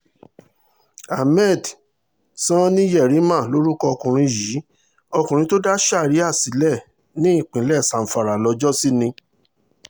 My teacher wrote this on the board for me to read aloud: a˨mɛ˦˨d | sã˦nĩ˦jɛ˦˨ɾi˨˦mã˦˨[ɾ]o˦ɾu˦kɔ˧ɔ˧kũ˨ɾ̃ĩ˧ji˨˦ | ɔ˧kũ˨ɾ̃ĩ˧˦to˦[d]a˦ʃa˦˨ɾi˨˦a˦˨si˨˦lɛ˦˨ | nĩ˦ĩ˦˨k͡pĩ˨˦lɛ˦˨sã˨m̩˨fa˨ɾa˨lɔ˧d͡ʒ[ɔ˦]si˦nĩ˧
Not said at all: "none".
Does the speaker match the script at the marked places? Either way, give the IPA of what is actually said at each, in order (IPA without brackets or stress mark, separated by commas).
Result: l, d, ɔ˦